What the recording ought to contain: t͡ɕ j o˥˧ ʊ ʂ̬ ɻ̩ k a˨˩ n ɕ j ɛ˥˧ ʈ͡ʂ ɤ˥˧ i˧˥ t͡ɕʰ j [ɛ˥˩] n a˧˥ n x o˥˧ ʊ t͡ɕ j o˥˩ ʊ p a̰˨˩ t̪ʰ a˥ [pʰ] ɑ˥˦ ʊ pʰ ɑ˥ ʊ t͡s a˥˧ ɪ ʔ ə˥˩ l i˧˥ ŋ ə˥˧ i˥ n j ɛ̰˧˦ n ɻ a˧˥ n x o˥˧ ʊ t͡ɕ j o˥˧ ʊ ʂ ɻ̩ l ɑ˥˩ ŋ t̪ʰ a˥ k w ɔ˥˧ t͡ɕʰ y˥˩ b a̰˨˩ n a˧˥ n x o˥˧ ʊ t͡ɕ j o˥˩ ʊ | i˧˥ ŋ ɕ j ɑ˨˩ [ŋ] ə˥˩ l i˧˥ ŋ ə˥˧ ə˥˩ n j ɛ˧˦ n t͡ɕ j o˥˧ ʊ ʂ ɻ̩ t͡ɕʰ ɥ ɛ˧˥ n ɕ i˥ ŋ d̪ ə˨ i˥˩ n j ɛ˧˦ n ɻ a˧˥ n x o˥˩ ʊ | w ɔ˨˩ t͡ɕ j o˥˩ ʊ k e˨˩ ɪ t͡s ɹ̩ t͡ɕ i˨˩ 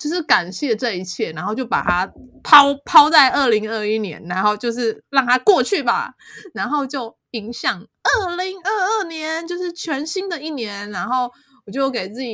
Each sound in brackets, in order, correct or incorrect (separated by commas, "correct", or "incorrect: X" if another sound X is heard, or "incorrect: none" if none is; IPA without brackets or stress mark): correct, correct, correct